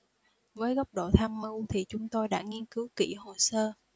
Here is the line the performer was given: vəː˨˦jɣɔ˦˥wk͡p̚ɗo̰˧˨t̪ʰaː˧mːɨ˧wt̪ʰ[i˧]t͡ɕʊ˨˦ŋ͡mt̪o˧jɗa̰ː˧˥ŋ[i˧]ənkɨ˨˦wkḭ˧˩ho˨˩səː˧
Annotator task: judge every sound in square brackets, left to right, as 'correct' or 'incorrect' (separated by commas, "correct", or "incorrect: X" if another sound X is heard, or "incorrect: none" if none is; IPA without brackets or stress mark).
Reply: incorrect: i˨˩, correct